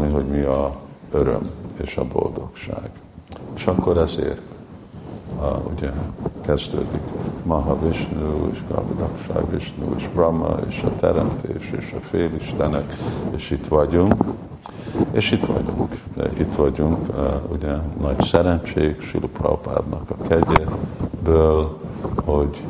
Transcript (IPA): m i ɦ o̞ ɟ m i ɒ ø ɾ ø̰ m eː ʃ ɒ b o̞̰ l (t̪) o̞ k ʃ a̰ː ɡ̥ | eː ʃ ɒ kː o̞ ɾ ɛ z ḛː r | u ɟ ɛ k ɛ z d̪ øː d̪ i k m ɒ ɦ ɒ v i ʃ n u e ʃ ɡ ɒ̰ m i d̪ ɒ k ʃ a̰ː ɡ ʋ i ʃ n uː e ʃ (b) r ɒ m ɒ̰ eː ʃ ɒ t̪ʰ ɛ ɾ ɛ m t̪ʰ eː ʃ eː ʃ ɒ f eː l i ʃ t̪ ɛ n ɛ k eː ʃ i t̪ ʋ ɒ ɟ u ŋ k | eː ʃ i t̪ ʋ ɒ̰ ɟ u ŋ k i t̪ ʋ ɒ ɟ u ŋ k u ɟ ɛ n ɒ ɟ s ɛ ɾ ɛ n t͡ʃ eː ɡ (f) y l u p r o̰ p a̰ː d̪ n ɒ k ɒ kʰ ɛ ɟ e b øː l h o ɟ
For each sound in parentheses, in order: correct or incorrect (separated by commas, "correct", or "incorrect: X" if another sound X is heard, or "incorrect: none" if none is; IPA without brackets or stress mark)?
incorrect: d̪, correct, incorrect: ʃ